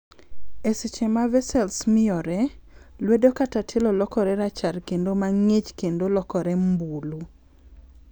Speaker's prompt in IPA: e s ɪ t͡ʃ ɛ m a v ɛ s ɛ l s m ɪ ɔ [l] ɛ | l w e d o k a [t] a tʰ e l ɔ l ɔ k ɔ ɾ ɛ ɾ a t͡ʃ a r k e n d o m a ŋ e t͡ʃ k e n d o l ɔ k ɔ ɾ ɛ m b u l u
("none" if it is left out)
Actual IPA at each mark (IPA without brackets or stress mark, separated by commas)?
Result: ɾ, t